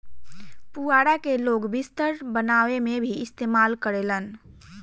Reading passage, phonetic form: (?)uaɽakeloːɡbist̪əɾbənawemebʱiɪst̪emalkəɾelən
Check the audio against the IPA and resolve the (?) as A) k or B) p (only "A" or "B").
B